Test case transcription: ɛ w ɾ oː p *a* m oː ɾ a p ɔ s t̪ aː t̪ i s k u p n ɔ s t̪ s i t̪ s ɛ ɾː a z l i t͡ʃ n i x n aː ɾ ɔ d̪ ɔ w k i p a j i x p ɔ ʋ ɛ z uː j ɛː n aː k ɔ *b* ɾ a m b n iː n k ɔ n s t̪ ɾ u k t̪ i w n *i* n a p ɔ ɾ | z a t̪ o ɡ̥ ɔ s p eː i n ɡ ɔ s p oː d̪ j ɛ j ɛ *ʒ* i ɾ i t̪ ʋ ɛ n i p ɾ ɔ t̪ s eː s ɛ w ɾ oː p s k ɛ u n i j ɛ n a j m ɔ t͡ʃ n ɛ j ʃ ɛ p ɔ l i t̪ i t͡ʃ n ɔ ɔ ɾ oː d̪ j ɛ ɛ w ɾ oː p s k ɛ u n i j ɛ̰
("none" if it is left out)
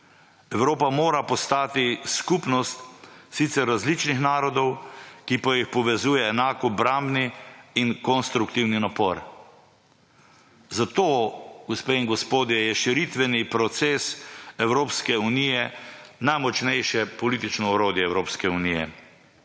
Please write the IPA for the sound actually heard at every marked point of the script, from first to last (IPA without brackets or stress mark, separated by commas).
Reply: a, b, i, ʃ